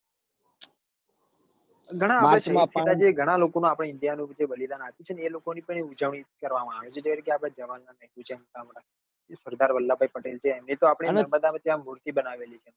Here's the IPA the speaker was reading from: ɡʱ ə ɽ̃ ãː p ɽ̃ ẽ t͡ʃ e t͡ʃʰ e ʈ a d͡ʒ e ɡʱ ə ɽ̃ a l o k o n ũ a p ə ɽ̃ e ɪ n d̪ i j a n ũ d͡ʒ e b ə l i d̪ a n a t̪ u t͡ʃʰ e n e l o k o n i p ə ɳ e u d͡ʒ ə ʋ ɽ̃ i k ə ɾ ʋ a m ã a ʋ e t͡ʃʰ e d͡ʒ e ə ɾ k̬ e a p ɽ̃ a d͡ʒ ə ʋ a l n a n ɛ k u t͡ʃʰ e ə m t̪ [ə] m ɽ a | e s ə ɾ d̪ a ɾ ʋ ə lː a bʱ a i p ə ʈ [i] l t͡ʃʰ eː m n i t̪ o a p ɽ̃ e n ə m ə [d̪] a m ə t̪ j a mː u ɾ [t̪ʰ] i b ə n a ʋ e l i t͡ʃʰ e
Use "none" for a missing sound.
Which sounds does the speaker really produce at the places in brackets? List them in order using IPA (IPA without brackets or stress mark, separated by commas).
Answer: a, e, d̪, t̪